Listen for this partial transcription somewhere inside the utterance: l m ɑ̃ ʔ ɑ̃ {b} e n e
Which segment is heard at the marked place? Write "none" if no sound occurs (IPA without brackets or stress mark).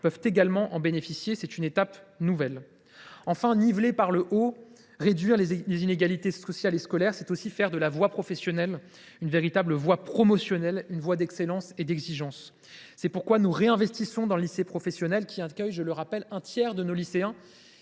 b